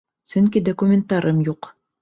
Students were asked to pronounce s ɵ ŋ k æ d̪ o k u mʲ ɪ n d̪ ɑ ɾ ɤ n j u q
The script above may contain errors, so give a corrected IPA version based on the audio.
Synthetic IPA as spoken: s ɵ ŋ k i d̪ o k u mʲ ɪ n t̪ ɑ ɾ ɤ m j u q